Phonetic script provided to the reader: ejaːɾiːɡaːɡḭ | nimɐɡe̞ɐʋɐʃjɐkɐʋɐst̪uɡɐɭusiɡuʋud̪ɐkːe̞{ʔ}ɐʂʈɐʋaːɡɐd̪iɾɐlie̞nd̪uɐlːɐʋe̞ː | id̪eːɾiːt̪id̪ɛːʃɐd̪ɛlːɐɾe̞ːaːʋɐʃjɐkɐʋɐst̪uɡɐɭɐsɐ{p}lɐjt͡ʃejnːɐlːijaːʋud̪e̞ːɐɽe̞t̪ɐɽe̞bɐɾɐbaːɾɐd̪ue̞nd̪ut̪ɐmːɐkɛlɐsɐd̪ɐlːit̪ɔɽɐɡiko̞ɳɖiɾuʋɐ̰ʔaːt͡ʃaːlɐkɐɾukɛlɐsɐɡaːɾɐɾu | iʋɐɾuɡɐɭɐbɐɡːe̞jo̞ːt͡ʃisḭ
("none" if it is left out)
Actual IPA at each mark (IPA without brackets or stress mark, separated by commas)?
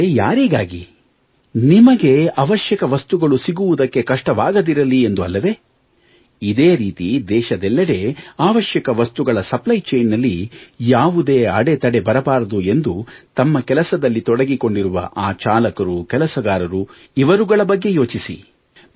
k, p